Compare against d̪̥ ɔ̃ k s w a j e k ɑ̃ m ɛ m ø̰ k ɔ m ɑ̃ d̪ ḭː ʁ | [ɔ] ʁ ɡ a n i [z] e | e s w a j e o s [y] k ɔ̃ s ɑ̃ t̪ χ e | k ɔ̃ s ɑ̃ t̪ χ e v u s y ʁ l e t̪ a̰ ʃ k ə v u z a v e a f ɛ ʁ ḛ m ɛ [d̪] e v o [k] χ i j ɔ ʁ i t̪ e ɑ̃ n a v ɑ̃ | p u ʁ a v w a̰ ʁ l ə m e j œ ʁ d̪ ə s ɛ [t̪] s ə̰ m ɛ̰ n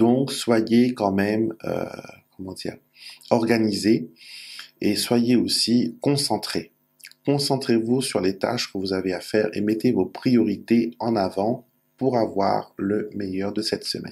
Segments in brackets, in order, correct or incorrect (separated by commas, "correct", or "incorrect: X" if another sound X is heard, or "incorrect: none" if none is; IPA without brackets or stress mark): correct, correct, incorrect: i, incorrect: t̪, incorrect: p, correct